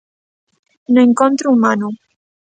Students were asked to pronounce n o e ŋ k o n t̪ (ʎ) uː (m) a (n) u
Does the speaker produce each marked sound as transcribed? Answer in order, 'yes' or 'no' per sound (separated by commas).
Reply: no, yes, yes